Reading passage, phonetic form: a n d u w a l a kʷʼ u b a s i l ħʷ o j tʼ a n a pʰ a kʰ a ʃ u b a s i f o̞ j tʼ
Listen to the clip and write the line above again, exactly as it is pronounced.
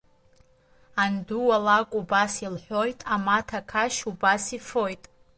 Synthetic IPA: a n d u w a l a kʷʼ u b a s i l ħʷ o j tʼ a m a tʰ a kʰ a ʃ u b a s i f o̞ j tʼ